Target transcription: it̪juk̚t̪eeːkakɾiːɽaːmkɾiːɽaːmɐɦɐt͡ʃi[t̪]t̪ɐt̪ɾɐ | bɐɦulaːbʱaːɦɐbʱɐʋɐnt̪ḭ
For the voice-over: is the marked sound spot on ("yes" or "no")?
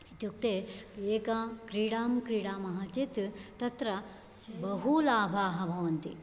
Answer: yes